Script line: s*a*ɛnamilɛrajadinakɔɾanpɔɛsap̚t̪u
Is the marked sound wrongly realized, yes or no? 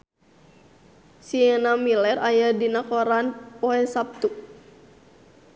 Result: yes